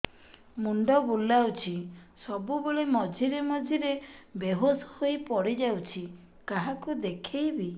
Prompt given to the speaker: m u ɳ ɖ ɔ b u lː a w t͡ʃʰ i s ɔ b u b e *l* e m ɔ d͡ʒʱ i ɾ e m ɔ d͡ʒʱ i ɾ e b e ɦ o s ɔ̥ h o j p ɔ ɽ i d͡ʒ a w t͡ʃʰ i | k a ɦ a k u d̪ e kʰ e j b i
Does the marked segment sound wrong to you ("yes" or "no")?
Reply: yes